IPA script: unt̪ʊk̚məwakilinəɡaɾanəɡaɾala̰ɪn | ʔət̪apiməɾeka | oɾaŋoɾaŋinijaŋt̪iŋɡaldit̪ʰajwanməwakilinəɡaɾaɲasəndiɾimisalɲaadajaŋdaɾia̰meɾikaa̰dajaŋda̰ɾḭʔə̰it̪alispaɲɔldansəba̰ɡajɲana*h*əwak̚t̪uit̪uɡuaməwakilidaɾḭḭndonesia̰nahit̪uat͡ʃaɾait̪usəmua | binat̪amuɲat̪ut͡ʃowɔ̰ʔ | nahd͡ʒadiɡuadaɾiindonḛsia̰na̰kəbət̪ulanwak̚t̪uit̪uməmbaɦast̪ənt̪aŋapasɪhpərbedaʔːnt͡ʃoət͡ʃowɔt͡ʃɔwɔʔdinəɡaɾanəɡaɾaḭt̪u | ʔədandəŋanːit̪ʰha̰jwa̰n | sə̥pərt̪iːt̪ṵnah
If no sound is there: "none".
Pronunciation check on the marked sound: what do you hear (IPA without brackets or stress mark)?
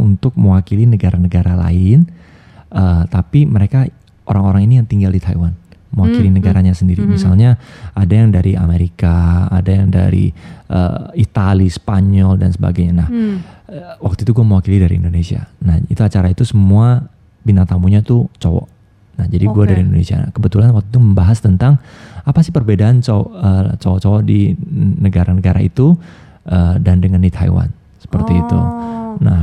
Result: h